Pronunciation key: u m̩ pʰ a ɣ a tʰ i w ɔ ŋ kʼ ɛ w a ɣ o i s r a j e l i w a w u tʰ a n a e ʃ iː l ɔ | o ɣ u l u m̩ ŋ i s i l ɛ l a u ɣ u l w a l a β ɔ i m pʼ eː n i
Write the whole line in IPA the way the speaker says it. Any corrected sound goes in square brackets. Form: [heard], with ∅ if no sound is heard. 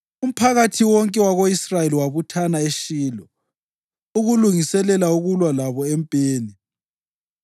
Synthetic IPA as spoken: u m̩ pʰ a ɣ a tʰ i w ɔ ŋ kʼ ɛ w a ɣ o i s r a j e l i w a [β] u tʰ a n a e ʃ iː l ɔ | [u] ɣ u l u [∅] ŋ i s [ɛ] l ɛ l a u ɣ u l w a l a β ɔ [ɛ] m pʼ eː n i